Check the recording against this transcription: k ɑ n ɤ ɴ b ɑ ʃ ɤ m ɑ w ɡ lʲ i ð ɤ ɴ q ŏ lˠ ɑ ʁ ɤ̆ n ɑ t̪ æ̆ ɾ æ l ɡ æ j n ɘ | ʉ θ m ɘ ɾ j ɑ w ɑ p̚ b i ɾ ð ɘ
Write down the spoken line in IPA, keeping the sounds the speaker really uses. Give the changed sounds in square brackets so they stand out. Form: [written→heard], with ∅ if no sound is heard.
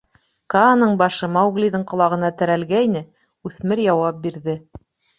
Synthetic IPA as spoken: k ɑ n ɤ ɴ b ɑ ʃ ɤ m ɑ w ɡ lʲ i ð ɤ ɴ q ŏ lˠ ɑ ʁ ɤ̆ n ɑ t̪ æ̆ ɾ æ l ɡ æ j n ɘ | ʉ θ m ɘ ɾ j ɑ w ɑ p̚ b i ɾ ð ɘ